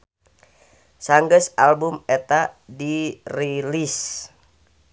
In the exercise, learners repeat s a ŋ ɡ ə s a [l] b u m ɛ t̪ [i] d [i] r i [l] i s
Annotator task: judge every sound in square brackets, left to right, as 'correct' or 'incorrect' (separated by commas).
correct, incorrect, correct, correct